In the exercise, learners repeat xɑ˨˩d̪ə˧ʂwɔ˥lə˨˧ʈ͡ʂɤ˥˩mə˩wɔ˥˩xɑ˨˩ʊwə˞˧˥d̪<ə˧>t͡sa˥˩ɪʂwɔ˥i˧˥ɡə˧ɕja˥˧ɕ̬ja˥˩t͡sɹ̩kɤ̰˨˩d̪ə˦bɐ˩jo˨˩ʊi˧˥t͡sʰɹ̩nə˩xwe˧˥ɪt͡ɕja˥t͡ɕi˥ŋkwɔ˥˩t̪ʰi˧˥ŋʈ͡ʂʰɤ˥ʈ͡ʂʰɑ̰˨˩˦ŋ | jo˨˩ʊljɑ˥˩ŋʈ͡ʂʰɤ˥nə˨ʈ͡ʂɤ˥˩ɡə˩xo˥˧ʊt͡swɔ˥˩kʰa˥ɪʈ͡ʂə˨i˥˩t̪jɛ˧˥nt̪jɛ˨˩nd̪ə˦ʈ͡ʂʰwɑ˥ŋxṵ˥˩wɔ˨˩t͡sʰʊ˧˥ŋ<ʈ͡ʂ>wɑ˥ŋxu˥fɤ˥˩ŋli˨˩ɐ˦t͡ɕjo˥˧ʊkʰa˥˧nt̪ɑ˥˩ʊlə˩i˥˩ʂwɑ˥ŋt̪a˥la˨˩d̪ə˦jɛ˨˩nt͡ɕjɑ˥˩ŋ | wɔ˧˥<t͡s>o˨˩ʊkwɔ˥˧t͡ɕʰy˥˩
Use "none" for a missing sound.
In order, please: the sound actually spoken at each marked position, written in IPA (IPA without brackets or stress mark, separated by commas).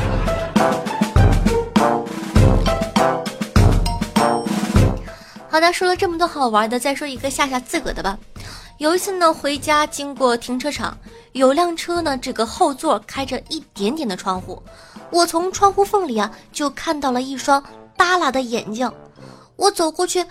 ə˧, ʈ͡ʂʰ, t͡s